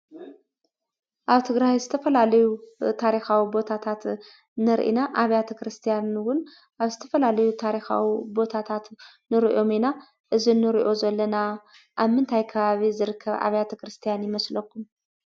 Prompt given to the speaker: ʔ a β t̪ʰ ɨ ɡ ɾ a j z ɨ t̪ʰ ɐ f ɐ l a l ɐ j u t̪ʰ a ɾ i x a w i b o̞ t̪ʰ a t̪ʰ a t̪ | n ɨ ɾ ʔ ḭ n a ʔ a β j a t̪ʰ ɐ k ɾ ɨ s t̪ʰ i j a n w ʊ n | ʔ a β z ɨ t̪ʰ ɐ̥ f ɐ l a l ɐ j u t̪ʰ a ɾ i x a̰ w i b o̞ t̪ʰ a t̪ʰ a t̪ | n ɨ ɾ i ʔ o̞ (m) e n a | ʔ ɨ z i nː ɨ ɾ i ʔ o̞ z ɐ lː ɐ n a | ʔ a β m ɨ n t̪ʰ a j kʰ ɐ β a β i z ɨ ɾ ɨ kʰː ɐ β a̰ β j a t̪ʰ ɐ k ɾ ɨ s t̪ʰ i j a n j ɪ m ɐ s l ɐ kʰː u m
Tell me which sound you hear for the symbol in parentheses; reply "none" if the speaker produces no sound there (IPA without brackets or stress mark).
m